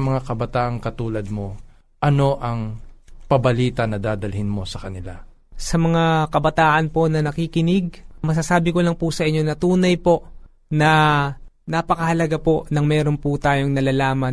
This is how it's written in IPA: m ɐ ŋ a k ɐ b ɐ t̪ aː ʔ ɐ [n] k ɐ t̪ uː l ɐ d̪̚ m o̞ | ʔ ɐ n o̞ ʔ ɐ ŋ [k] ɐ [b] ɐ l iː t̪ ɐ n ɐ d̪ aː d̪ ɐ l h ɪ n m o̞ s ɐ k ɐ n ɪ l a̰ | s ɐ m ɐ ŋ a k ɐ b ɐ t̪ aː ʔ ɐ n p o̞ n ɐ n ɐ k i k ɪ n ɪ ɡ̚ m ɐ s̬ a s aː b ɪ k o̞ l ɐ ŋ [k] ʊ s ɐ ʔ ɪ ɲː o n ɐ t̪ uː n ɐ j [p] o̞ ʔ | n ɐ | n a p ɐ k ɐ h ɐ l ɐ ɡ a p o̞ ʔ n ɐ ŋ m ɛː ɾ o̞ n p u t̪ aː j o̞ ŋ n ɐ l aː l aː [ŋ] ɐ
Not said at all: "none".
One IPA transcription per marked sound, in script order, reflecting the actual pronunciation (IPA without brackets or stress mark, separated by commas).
ŋ, p, b, p, p, m